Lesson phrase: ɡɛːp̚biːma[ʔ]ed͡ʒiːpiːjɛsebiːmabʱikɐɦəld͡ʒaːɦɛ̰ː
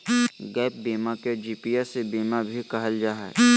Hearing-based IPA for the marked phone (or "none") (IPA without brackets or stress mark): k